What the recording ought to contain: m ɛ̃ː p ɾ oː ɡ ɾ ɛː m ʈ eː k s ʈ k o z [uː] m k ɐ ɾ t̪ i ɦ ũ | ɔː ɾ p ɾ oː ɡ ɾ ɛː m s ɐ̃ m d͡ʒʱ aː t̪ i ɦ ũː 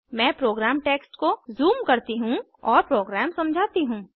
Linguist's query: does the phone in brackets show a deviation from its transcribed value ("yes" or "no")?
no